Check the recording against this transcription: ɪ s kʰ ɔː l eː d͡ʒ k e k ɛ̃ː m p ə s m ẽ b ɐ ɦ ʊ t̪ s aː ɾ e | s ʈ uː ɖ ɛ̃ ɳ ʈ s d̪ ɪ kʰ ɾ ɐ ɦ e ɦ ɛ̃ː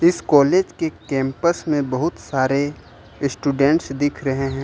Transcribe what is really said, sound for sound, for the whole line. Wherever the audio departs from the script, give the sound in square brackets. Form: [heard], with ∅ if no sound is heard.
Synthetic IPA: ɪ s [k] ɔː l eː d͡ʒ k e k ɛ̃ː m p ə s m ẽ b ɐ ɦ ʊ t̪ s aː ɾ e | s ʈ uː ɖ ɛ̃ ɳ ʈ s d̪ ɪ kʰ ɾ ɐ ɦ e ɦ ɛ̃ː